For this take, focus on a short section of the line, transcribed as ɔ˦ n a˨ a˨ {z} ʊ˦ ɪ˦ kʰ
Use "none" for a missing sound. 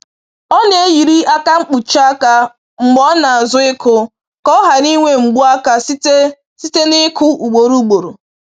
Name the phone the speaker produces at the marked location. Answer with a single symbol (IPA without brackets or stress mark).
z